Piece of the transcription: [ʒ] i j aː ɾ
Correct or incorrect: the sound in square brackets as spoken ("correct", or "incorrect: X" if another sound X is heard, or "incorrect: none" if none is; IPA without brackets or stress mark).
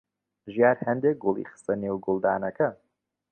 correct